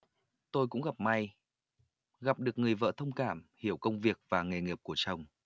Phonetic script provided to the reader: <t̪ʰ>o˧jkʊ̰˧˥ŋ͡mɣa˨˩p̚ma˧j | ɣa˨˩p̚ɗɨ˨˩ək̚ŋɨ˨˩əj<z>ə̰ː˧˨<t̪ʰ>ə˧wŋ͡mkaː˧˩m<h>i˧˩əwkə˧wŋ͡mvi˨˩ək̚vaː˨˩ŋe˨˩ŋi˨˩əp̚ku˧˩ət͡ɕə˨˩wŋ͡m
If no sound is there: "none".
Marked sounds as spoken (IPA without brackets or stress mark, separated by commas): t̪, v, t̪ʰ, h